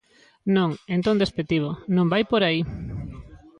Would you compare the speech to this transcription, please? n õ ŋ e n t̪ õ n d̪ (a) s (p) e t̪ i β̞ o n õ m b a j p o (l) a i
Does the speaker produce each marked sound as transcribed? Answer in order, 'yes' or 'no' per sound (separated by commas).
no, yes, no